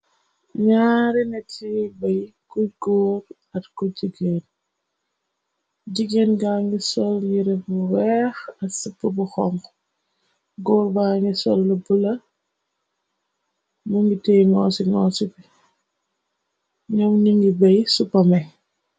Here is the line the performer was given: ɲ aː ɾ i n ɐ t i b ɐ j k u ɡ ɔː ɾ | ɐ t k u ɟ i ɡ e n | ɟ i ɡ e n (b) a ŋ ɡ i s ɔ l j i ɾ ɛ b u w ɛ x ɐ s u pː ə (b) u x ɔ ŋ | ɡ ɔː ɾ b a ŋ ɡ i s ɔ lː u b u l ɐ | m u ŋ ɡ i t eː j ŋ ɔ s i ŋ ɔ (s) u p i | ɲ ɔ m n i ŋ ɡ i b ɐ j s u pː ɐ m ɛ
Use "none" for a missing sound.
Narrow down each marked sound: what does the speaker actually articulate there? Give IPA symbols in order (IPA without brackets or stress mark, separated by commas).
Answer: ɡ, b, s